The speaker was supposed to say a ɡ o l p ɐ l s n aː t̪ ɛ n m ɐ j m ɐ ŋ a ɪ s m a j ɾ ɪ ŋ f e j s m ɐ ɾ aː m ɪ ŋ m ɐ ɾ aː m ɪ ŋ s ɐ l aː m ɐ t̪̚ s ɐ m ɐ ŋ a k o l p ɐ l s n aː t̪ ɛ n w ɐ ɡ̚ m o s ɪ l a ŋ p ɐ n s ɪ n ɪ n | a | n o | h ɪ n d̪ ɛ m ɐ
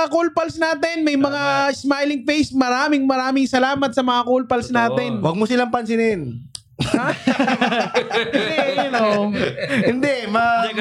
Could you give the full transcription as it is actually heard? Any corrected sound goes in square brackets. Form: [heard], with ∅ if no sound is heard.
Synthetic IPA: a [k] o l p ɐ l s n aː t̪ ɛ n m ɐ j m ɐ ŋ a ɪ s m a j [l] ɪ ŋ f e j s m ɐ ɾ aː m ɪ ŋ m ɐ ɾ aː m ɪ ŋ s ɐ l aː m ɐ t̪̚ s ɐ m ɐ ŋ a k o l p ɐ l s n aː t̪ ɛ n w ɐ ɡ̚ m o s ɪ l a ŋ p ɐ n s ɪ n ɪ n | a | n o | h ɪ n d̪ ɛ m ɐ